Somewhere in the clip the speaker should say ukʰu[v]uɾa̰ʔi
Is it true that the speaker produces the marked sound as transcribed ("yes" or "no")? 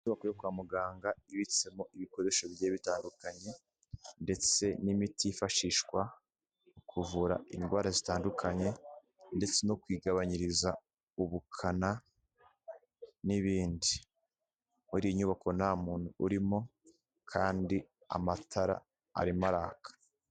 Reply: yes